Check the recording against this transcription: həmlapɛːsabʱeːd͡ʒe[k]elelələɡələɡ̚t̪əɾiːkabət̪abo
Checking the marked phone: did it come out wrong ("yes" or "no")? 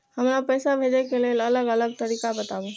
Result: no